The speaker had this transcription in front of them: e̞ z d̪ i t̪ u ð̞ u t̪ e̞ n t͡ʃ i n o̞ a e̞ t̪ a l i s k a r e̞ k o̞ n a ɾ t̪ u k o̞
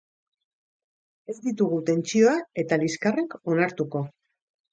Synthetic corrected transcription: e̞ z d̪ i t̪ u ɣ̞ u t̪ e̞ n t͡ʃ i o̞ a e̞ t̪ a l i s k a r e̞ k o̞ n a ɾ t̪ u k o̞